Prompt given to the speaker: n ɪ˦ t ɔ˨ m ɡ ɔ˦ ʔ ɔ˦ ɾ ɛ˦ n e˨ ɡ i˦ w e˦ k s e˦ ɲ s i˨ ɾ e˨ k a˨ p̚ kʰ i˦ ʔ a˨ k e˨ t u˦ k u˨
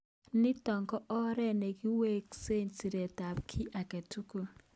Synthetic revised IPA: n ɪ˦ t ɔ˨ ŋ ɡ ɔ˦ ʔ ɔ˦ ɾ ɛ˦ n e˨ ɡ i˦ w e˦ k s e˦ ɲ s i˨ ɾ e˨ t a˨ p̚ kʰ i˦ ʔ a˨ k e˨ t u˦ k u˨